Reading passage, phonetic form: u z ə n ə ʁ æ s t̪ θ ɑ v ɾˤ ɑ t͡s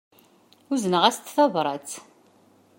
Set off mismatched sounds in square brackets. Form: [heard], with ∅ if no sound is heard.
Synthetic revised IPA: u z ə n ə ʁ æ s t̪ θ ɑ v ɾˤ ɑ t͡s